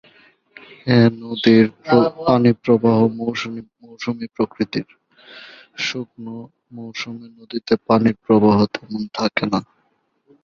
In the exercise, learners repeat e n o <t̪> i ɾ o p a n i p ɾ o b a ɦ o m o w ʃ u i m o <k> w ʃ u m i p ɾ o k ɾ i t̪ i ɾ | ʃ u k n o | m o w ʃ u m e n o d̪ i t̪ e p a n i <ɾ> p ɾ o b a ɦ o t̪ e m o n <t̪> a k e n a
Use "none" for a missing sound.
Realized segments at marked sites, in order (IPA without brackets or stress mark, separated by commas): d̪, none, ɾ, t̪ʰ